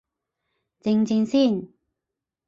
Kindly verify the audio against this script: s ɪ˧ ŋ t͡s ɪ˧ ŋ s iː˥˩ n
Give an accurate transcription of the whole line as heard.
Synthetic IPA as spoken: t͡s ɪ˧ ŋ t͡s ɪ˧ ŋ s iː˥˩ n